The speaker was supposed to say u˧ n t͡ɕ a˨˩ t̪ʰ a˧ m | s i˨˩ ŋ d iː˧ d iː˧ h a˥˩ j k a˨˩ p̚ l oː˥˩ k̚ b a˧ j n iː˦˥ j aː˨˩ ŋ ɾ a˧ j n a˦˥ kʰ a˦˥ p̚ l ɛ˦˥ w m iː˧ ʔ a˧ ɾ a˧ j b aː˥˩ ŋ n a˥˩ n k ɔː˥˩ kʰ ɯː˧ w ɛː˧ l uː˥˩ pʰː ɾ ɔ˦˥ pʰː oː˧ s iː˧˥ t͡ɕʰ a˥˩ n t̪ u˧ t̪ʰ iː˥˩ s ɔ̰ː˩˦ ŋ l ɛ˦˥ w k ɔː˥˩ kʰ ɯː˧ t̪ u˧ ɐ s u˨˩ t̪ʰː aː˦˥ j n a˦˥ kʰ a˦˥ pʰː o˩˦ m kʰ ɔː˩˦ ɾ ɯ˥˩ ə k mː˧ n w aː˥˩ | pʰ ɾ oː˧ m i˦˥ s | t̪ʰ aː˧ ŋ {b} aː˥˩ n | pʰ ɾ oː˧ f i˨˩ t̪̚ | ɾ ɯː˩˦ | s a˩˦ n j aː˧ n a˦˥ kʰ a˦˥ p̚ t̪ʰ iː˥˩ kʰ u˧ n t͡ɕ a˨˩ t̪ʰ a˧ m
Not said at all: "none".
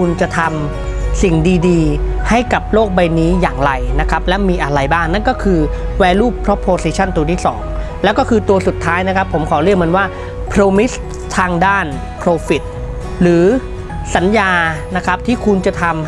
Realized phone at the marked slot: d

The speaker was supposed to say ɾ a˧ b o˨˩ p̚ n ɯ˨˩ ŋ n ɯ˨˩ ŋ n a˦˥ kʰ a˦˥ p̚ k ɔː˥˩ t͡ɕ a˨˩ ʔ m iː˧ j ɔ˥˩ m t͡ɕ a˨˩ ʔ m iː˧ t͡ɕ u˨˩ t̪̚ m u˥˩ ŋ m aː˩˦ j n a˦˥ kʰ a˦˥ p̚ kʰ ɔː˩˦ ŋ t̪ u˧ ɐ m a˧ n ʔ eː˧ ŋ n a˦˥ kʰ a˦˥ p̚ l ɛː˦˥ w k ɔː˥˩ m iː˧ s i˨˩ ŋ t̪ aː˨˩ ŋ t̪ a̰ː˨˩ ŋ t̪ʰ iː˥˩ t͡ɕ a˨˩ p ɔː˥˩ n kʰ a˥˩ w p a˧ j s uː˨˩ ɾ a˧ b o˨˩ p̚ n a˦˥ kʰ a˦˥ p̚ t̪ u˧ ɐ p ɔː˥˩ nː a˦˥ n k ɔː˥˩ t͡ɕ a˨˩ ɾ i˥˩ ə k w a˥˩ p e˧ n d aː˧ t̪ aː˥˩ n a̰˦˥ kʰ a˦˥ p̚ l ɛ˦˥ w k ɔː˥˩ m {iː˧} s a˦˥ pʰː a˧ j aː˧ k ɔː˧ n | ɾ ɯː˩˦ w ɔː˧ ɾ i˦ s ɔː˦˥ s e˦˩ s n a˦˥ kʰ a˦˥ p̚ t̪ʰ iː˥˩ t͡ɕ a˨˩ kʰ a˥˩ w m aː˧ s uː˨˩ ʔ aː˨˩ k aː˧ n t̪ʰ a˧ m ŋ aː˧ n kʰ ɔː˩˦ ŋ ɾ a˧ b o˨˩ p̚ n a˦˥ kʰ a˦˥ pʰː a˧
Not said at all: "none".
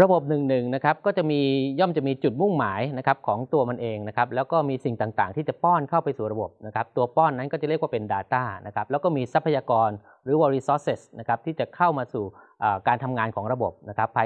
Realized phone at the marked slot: iː˧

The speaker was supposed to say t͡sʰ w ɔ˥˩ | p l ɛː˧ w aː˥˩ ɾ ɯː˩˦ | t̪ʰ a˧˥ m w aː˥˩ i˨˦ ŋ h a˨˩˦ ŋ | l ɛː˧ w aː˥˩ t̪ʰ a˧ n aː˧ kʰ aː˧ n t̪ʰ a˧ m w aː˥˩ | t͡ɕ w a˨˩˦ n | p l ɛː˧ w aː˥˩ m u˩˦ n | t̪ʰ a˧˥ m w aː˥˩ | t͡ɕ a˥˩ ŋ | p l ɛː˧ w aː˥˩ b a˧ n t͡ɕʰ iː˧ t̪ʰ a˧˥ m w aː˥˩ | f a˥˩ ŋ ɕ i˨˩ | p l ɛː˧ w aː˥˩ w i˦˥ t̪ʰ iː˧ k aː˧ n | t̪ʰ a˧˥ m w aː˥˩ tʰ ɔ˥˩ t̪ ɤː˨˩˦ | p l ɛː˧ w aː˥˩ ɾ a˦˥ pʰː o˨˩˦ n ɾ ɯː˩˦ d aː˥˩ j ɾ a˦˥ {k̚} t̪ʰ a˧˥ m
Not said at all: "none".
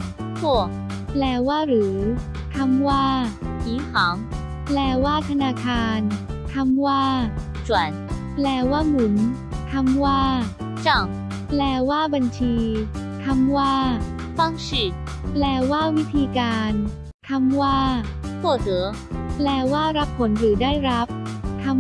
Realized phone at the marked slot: p̚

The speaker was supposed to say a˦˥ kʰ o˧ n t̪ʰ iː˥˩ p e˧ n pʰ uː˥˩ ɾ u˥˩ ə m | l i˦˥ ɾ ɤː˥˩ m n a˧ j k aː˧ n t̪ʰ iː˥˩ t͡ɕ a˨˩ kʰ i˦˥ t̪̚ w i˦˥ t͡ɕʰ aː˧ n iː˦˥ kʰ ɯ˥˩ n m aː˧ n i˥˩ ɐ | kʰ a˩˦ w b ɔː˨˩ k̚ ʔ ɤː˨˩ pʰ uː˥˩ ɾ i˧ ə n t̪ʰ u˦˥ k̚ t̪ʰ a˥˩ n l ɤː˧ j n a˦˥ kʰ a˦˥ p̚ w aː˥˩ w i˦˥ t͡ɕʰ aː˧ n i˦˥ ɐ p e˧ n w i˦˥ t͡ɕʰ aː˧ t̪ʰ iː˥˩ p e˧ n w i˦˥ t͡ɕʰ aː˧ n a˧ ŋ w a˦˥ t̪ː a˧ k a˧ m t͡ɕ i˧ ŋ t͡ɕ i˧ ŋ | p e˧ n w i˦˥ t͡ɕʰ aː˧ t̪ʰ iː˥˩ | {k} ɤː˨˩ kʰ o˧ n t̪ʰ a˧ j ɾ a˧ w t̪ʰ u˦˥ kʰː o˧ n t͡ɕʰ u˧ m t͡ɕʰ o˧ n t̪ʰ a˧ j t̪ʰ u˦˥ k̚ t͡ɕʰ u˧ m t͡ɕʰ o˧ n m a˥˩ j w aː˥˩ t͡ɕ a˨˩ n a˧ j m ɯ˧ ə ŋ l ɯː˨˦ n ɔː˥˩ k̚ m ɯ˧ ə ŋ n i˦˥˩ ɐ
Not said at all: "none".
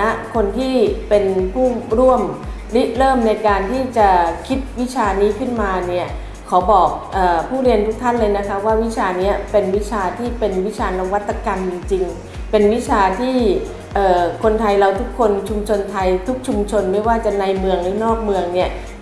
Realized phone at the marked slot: ʔ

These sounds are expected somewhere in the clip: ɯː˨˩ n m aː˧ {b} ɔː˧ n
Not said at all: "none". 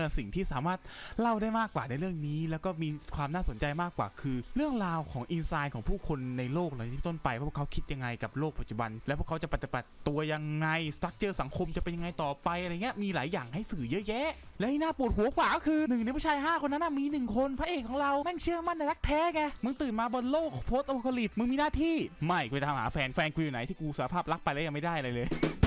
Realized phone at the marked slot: b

